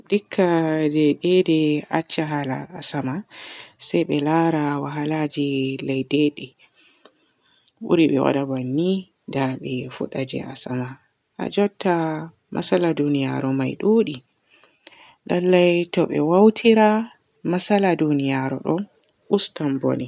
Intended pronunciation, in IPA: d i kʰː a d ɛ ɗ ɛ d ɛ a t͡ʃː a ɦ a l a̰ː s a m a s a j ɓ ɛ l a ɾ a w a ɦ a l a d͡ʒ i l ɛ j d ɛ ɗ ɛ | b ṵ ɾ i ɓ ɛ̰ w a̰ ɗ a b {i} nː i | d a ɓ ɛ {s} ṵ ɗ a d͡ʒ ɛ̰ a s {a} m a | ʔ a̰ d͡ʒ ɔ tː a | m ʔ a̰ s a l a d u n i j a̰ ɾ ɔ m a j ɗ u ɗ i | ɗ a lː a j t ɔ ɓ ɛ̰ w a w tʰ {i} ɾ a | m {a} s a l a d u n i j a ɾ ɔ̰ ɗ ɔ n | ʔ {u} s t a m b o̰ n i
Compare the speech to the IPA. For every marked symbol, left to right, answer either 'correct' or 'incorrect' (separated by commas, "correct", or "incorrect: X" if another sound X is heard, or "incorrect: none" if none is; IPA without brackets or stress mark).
incorrect: a, incorrect: f, correct, correct, correct, correct